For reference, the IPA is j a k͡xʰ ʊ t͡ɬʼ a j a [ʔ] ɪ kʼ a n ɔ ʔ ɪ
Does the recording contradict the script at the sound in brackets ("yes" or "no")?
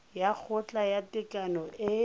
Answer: yes